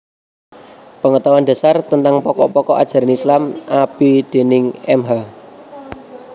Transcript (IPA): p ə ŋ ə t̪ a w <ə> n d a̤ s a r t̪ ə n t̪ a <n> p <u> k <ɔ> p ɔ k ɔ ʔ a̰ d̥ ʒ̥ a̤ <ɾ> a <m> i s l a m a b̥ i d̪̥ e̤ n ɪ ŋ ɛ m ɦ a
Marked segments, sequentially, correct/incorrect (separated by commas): incorrect, incorrect, incorrect, correct, correct, incorrect